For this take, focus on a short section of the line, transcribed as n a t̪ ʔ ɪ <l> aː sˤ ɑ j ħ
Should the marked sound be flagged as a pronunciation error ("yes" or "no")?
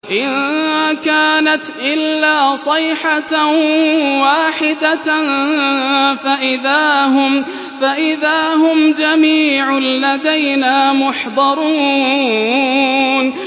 yes